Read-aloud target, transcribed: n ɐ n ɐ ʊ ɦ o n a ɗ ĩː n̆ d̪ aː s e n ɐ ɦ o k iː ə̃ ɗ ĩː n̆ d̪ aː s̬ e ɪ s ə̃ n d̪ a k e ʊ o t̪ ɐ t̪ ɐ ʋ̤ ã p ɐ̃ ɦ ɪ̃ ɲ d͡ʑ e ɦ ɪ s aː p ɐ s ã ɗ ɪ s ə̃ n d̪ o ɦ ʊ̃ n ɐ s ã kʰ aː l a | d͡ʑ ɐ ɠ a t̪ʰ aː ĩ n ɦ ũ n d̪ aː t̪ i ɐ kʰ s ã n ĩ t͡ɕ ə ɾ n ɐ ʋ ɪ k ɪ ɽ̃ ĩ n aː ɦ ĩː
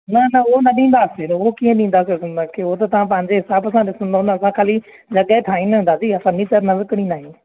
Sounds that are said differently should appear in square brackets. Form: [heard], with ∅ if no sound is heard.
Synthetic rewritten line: n ɐ n ɐ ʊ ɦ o n [ɐ] ɗ ĩː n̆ d̪ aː s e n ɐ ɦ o k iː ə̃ ɗ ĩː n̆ d̪ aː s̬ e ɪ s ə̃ n d̪ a k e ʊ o t̪ ɐ t̪ ɐ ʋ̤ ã p ɐ̃ ɦ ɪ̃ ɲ d͡ʑ e ɦ ɪ s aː [b] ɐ s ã ɗ ɪ s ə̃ n d̪ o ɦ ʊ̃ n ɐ s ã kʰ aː l [i] | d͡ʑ ɐ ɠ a t̪ʰ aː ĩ n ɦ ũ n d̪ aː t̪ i ɐ [∅] s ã n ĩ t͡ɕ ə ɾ n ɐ ʋ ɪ k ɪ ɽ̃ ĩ n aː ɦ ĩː

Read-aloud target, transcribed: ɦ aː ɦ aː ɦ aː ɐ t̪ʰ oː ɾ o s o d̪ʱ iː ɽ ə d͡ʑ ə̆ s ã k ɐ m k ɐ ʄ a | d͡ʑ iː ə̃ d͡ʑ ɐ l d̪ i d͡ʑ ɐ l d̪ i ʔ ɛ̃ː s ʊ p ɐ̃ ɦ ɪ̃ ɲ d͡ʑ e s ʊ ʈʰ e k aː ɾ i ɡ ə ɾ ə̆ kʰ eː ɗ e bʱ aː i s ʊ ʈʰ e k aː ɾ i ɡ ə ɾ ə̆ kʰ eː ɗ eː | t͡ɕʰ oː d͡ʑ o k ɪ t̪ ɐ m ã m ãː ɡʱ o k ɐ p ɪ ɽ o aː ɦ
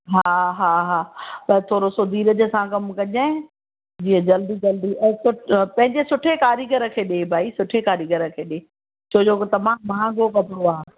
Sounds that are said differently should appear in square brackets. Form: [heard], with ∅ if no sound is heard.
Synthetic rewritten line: ɦ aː ɦ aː ɦ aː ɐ t̪ʰ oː ɾ o s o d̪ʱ iː [ɾ] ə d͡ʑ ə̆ s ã k ɐ m k ɐ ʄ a | d͡ʑ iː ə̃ d͡ʑ ɐ l d̪ i d͡ʑ ɐ l d̪ i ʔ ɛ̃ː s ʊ p ɐ̃ ɦ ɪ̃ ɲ d͡ʑ e s ʊ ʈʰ e k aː ɾ i ɡ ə ɾ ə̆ kʰ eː ɗ e bʱ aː i s ʊ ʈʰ e k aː ɾ i ɡ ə ɾ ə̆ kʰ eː ɗ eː | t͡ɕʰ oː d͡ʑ o k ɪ t̪ ɐ m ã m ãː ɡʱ o k ɐ p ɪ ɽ o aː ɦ

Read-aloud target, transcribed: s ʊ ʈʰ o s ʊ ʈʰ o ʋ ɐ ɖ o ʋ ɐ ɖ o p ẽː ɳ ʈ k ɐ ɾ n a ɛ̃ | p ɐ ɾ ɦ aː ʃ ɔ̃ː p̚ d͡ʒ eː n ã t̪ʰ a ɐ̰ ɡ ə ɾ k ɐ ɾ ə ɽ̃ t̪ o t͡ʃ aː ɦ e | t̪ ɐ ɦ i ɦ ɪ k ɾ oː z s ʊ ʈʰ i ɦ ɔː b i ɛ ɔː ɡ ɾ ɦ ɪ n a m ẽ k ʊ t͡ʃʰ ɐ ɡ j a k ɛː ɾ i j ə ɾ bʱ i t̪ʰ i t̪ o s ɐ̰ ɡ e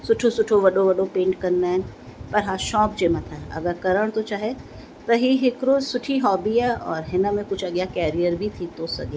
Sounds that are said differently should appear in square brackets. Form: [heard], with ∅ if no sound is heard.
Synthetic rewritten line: s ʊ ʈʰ o s ʊ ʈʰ o ʋ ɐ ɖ o ʋ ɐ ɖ o p ẽː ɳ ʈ k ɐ ɾ n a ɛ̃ | p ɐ ɾ ɦ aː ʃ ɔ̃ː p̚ d͡ʒ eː [m] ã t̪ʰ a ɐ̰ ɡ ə ɾ k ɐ ɾ ə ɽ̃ t̪ o t͡ʃ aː ɦ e | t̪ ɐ ɦ i ɦ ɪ k ɾ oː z s ʊ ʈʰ i ɦ ɔː b i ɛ ɔː [∅] ɾ ɦ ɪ n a m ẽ k ʊ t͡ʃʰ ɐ ɡ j a k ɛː ɾ i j ə ɾ bʱ i t̪ʰ i t̪ o s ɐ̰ ɡ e

